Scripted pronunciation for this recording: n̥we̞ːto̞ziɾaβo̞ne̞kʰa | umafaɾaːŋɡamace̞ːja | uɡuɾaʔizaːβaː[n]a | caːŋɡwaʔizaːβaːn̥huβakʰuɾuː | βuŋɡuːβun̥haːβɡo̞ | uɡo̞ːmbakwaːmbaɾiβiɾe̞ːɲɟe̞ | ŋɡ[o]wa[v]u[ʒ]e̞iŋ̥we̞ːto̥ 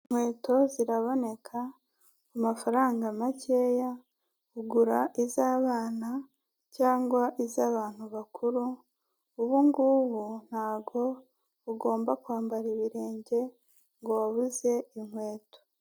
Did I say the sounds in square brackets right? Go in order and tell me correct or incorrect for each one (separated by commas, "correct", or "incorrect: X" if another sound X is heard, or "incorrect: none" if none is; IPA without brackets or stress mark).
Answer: correct, correct, incorrect: β, incorrect: z